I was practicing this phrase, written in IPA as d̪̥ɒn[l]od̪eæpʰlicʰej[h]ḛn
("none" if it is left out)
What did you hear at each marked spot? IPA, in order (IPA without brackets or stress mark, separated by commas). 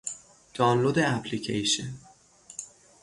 l, ʃ